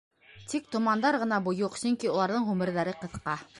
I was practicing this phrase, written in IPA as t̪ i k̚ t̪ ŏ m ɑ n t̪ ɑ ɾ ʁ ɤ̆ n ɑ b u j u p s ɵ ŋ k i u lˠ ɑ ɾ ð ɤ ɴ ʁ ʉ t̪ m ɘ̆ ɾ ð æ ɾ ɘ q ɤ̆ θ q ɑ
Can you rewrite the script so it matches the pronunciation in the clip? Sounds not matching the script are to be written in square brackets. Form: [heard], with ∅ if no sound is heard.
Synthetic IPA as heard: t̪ i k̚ t̪ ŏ m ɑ n [d̪] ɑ ɾ ʁ ɤ̆ n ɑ b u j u [q] s ɵ ŋ k i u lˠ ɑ ɾ ð ɤ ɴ ʁ ʉ [∅] m ɘ̆ ɾ ð æ ɾ ɘ q ɤ̆ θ q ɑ